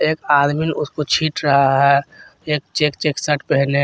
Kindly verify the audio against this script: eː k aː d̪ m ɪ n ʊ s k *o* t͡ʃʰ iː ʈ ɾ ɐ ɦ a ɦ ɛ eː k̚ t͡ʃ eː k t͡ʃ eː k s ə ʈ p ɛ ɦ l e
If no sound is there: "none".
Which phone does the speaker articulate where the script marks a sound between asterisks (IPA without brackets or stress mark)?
o